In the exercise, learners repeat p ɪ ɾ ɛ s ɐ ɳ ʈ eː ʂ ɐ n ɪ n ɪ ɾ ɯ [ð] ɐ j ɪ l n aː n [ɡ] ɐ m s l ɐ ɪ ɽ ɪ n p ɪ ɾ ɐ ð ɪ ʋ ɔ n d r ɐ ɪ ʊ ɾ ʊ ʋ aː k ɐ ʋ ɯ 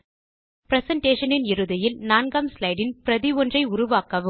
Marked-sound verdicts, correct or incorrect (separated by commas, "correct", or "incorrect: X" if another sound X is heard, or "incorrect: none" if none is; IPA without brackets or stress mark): correct, correct